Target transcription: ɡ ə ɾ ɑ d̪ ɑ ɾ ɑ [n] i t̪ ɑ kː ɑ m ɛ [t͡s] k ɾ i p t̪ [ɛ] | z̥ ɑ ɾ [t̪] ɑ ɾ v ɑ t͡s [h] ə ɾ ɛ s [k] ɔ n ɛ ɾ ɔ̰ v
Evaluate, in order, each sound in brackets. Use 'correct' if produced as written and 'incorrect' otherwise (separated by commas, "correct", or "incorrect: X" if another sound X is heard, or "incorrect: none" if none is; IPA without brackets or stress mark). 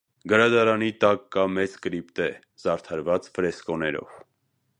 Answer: correct, correct, correct, incorrect: t̪ʰ, incorrect: f, correct